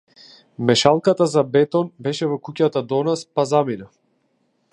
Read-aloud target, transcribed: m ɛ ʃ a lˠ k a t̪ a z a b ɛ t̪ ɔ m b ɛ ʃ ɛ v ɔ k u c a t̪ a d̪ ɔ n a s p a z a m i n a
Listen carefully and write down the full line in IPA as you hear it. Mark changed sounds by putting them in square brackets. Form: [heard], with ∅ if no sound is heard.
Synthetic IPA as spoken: m ɛ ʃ a lˠ k a t̪ a z a b ɛ t̪ ɔ [n] b ɛ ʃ ɛ v ɔ k u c a t̪ a d̪ ɔ n a s p a z a m i n a